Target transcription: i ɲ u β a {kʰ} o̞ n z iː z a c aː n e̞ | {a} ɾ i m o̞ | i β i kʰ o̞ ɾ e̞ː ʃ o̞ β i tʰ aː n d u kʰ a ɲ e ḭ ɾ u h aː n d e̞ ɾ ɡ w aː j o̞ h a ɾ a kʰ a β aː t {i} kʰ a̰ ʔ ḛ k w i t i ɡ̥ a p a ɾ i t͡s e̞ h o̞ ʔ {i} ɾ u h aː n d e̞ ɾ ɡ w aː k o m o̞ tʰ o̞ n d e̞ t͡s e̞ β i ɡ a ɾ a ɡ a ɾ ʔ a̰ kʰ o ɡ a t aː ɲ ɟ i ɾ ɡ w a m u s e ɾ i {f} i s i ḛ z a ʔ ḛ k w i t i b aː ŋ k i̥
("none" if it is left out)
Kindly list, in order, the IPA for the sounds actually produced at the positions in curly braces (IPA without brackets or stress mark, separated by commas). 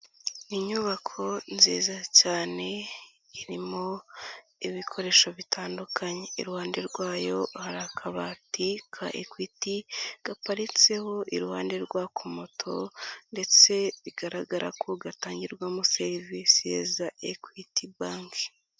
kʰ, i, i, i, v